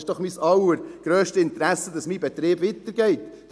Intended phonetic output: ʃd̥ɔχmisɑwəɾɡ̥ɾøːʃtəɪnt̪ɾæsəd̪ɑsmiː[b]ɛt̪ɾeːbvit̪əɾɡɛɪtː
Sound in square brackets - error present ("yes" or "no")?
no